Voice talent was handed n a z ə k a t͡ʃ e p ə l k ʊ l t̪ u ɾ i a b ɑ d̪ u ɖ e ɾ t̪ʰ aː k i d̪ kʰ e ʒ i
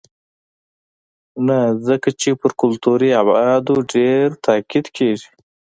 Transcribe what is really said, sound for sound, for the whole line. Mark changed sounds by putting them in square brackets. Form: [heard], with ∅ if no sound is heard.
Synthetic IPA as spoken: n a z ə k a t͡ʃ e p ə [ɾ] k ʊ l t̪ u ɾ i a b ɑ d̪ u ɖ e ɾ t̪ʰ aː k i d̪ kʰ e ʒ i